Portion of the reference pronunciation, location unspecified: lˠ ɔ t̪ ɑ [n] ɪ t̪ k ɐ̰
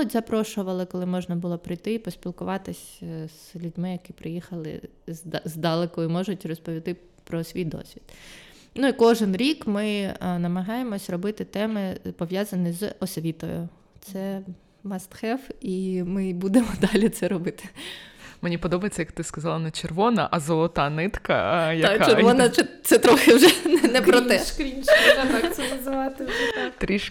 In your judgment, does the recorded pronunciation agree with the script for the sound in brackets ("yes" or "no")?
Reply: yes